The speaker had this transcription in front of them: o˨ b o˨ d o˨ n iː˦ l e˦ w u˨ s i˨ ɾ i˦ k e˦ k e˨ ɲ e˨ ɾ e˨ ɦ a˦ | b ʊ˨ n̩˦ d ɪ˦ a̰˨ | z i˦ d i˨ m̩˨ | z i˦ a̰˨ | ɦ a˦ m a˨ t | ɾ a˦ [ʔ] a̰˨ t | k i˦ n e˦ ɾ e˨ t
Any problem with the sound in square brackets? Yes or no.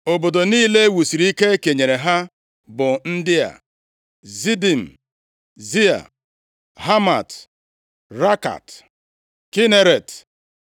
yes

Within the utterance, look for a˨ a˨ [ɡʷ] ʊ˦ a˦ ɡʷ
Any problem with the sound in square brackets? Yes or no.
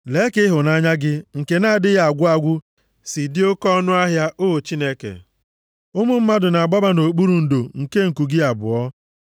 no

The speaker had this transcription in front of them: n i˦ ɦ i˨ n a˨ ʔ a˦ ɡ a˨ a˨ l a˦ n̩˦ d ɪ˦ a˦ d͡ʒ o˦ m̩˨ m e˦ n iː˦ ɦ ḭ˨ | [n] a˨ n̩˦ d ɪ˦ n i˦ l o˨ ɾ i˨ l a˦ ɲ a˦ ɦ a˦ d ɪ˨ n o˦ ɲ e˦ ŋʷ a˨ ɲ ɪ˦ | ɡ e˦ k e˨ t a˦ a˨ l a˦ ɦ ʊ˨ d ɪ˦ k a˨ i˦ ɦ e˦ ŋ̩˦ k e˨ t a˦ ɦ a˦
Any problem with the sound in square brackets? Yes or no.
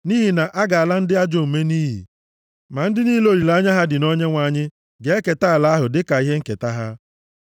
yes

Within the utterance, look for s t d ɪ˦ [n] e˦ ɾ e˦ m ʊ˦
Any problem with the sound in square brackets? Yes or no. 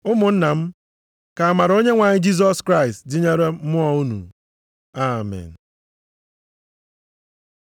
yes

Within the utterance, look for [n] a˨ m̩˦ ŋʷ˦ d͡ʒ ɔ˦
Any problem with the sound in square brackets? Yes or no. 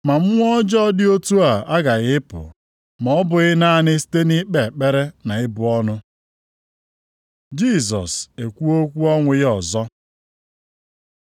yes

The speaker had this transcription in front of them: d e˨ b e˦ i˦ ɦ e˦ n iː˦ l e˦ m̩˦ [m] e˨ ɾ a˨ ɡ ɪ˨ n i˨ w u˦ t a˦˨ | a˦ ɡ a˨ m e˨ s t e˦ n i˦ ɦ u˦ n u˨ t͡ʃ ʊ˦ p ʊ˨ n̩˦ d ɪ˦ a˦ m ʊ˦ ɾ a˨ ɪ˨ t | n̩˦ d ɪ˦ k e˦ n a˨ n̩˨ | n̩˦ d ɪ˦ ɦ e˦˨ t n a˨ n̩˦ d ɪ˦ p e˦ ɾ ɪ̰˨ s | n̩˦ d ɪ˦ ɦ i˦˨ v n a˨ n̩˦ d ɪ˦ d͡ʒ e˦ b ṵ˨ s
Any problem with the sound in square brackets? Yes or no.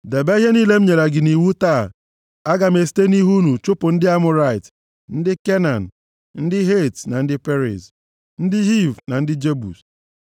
yes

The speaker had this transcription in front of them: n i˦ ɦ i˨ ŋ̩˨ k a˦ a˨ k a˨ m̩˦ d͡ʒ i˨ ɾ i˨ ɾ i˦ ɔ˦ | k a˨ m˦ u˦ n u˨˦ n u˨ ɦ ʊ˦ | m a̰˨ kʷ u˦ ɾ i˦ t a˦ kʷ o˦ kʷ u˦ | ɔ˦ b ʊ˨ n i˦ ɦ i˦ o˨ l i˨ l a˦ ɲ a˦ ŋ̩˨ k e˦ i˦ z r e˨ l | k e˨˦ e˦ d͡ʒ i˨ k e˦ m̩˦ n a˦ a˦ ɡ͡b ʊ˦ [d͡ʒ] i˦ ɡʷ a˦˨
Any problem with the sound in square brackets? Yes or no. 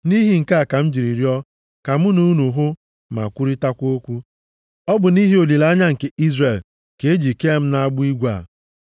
yes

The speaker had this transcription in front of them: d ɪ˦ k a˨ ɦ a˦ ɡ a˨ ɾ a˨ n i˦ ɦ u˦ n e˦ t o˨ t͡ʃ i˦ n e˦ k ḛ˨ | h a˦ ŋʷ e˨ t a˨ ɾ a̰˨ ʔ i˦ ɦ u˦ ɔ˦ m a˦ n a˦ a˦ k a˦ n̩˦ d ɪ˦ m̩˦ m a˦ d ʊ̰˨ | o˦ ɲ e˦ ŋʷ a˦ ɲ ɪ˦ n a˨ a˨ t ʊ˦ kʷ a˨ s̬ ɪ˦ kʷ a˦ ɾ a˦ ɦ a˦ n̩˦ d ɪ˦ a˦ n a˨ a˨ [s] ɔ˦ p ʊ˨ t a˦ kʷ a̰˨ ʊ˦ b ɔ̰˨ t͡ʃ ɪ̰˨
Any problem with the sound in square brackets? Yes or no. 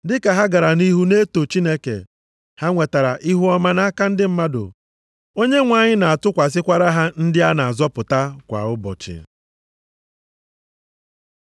yes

